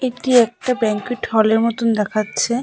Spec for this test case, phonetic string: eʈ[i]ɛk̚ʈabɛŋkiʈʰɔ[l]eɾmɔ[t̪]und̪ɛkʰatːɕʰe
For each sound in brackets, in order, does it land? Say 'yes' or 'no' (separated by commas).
yes, yes, yes